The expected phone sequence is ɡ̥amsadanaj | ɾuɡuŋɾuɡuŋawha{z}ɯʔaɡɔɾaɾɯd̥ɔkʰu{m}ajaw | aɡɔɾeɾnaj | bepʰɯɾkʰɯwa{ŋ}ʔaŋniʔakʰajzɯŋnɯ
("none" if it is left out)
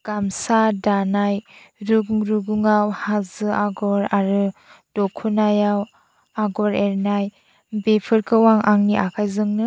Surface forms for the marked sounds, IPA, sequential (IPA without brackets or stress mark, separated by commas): z, n, ŋ